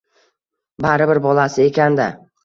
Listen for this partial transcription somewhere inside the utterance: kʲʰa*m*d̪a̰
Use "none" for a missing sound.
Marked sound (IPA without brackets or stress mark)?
n